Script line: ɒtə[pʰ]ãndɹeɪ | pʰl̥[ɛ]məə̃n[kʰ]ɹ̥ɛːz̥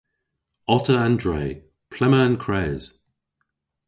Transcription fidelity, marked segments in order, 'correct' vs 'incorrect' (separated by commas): incorrect, correct, correct